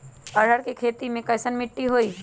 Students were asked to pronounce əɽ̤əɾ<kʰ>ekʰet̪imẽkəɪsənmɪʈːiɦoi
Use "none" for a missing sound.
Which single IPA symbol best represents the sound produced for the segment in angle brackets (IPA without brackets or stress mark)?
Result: k